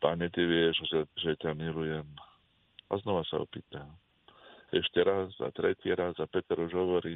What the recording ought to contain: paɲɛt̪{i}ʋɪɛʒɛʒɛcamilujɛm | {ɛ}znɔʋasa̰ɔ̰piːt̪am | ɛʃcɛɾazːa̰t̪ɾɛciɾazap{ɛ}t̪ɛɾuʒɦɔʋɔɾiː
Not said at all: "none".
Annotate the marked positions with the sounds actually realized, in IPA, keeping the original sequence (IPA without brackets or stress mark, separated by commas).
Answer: i, a, ɛ